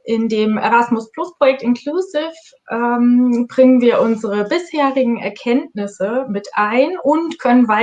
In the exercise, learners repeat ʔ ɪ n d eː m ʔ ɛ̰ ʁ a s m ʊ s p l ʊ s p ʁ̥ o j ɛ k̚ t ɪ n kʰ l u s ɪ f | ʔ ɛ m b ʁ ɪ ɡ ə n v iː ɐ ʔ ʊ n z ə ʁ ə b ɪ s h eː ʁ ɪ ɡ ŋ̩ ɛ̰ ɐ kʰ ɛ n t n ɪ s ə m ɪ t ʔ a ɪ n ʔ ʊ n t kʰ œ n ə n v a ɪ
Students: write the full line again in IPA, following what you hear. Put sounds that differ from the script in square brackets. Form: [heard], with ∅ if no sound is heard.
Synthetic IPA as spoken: ʔ ɪ n d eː m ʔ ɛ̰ ʁ a s m ʊ s p l ʊ s p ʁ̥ o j ɛ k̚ t ɪ n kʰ l u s ɪ f | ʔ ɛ m b ʁ ɪ [ŋ] ə n v iː ɐ ʔ ʊ n z ə ʁ ə b ɪ s h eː ʁ ɪ ɡ ŋ̩ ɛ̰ ɐ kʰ ɛ n t n ɪ s ə m ɪ t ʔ a ɪ n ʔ ʊ n t kʰ œ n ə n v a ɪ

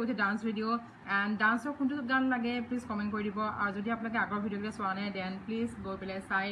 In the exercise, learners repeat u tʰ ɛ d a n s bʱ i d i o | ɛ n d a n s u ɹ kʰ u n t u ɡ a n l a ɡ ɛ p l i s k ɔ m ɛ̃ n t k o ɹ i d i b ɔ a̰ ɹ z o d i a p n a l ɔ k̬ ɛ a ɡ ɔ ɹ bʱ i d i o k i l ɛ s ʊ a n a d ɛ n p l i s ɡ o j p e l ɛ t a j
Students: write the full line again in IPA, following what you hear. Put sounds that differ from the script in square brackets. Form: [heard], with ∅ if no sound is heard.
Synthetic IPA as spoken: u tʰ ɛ d a n s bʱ i d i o | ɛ n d a n s [ɔ] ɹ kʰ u n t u ɡ a n l a ɡ ɛ p l i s k ɔ m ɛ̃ n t k o ɹ i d i b ɔ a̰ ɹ z o d i a p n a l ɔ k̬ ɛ a ɡ ɔ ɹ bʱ i d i o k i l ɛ s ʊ a n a d ɛ n p l i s ɡ o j p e l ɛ [s] a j

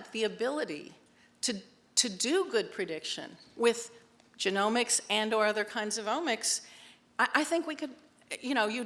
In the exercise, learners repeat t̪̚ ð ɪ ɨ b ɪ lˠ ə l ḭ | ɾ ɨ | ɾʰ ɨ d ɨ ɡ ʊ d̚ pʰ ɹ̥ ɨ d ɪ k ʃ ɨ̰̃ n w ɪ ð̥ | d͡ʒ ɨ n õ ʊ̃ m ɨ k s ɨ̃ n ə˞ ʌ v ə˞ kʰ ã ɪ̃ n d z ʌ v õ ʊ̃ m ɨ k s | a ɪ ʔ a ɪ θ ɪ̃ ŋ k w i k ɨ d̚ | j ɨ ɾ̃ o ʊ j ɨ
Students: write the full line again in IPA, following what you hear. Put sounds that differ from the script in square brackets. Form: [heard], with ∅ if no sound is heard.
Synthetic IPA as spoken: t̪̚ ð [i] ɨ b ɪ lˠ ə [ɾ] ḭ | ɾ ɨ | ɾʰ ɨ d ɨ ɡ ʊ d̚ pʰ ɹ̥ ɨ d ɪ k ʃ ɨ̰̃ n w ɪ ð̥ | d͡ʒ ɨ n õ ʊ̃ m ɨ k s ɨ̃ n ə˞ ʌ [ð] ə˞ kʰ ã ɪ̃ n d z ʌ v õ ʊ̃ m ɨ k s | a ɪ ʔ a ɪ θ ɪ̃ ŋ k w i k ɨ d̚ | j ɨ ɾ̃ o ʊ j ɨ

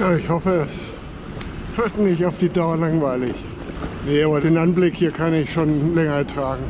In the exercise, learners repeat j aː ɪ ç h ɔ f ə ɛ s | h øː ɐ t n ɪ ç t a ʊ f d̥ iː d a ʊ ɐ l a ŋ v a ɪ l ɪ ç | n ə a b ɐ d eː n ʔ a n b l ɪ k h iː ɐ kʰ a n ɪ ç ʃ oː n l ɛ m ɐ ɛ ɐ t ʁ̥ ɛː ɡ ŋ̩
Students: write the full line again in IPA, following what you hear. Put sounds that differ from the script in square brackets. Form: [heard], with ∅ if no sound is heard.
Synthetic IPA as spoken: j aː ɪ ç h ɔ f ə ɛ s | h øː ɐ t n ɪ ç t a ʊ f d̥ iː d a ʊ ɐ l a ŋ v a ɪ l ɪ ç | n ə a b ɐ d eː n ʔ a n b l ɪ k h iː ɐ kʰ a n ɪ ç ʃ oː n l ɛ [ŋ] ɐ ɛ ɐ t ʁ̥ [aː] ɡ ŋ̩

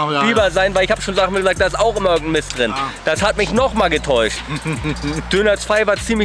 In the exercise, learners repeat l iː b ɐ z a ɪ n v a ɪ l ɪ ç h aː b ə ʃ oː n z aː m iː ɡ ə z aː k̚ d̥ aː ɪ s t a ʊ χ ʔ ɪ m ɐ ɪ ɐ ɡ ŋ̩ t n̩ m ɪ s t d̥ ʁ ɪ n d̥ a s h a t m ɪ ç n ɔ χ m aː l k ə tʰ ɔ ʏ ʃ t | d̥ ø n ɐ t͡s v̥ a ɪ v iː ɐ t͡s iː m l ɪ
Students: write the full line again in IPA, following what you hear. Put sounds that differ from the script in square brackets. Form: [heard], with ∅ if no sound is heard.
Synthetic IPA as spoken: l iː b ɐ z a ɪ n v a ɪ l ɪ ç h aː b ə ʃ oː n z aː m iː ɡ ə z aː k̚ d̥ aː ɪ s t a ʊ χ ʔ ɪ m ɐ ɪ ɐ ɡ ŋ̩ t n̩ m ɪ s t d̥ ʁ ɪ n d̥ a s h a t m ɪ ç n ɔ χ m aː l [ɡ] ə tʰ ɔ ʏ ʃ t | d̥ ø n ɐ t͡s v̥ a ɪ v [aː] ɐ t͡s iː m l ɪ

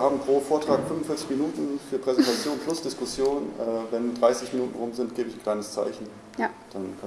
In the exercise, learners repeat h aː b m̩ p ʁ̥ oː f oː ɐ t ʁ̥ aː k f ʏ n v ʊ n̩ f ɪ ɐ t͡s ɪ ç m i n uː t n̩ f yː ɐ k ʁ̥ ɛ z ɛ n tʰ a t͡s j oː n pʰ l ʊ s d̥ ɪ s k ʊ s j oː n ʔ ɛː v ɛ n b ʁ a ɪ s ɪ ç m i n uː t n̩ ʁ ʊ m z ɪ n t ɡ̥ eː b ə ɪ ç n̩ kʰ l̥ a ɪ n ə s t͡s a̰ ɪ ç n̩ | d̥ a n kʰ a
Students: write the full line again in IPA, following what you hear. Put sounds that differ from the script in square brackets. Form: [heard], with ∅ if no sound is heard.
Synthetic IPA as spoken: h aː b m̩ p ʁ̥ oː f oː ɐ t ʁ̥ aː k f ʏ n v ʊ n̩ f ɪ ɐ t͡s ɪ ç m i n uː t n̩ f yː ɐ [p] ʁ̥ ɛ z ɛ n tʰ a t͡s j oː n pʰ l ʊ s d̥ ɪ s k ʊ s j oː n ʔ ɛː v ɛ n [d] ʁ a ɪ s ɪ ç m i n uː t n̩ ʁ ʊ m z ɪ n t ɡ̥ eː b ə ɪ ç n̩ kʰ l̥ a ɪ n ə s t͡s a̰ ɪ ç n̩ | d̥ a n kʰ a

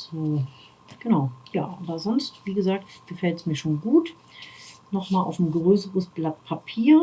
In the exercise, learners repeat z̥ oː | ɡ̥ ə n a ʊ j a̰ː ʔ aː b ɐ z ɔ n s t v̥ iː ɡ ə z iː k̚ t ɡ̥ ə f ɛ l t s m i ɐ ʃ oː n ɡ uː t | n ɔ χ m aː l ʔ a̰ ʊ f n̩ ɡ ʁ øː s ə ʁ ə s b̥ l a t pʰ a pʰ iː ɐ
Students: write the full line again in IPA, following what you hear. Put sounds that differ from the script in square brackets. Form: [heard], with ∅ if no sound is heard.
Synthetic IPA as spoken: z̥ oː | ɡ̥ ə n a ʊ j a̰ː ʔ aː b ɐ z ɔ n s t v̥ iː ɡ ə z [aː] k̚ t ɡ̥ ə f ɛ l t s m [iː] ɐ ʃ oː n ɡ uː t | n ɔ χ m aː l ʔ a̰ ʊ f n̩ ɡ ʁ øː s ə ʁ ə s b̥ l a t pʰ a pʰ iː ɐ

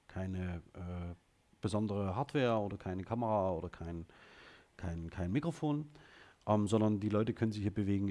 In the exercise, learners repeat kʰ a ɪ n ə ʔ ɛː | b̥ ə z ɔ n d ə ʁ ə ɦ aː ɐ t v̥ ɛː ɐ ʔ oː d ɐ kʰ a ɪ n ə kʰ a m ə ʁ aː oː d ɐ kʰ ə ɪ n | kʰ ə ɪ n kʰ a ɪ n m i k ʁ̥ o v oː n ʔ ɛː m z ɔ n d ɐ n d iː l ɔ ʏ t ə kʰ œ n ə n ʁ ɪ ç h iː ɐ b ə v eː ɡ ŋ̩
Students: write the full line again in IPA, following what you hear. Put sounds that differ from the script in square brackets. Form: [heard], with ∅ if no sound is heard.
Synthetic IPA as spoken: kʰ a ɪ n ə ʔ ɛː | b̥ ə z ɔ n d ə ʁ ə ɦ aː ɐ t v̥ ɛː ɐ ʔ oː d ɐ kʰ a ɪ n ə kʰ a m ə ʁ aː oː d ɐ kʰ [a] ɪ n | kʰ [a] ɪ n kʰ a ɪ n m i k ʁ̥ o [f] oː n ʔ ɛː m z ɔ n d ɐ n d iː l ɔ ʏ t ə kʰ œ n ə n [z] ɪ ç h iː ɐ b ə v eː ɡ ŋ̩

